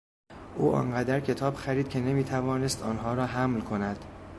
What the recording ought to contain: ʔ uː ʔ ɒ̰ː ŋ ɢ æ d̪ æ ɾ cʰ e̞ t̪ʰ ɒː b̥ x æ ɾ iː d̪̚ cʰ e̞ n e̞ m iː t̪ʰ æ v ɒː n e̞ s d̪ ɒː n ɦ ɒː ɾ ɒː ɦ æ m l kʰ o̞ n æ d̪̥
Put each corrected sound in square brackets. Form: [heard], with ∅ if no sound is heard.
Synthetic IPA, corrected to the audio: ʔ uː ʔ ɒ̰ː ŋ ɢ æ d̪ æ ɾ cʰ e̞ t̪ʰ ɒː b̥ x æ ɾ iː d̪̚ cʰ e̞ n e̞ m iː t̪ʰ æ v ɒː n e̞ s [t̪] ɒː n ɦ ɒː ɾ ɒː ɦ æ m l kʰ o̞ n æ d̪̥